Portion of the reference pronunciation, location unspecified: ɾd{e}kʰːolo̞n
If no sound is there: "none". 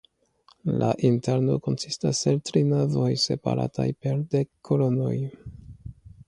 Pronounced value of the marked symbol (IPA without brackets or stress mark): e